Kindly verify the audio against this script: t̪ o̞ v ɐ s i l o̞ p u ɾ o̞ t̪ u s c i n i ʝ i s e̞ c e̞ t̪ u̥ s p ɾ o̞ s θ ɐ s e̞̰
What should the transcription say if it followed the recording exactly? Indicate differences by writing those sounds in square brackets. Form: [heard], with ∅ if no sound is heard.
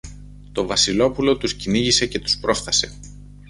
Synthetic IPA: t̪ o̞ v ɐ s i l o̞ p u [l] o̞ t̪ u s c i n i ʝ i s e̞ c e̞ t̪ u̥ s p ɾ o̞ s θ ɐ s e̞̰